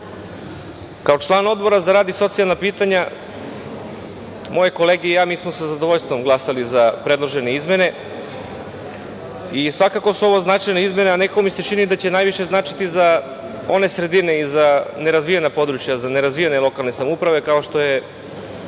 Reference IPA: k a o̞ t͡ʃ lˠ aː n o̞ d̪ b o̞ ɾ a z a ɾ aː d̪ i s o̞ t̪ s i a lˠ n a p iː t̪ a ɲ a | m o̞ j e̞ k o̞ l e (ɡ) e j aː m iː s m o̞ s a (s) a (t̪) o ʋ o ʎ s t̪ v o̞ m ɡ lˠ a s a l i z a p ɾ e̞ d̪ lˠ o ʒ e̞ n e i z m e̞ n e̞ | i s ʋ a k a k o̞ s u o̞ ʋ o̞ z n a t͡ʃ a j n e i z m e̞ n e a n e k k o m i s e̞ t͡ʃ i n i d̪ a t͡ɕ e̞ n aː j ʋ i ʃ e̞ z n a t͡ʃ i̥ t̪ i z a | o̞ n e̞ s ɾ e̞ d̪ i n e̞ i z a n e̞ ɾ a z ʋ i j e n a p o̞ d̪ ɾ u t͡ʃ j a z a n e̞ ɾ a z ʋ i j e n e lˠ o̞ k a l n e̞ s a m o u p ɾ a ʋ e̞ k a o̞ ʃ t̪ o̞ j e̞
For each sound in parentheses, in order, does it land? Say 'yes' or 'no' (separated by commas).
yes, no, no